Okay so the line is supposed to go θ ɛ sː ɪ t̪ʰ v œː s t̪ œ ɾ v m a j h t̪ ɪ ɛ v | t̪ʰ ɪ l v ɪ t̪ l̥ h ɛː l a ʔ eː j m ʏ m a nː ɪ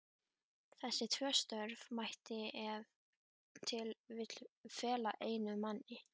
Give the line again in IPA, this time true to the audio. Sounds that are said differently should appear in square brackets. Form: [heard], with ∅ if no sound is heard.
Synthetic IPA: θ ɛ sː ɪ t̪ʰ v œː s t̪ œ ɾ v m a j h t̪ ɪ ɛ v | t̪ʰ ɪ l v ɪ t̪ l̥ [f] ɛː l a ʔ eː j [n] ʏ m a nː ɪ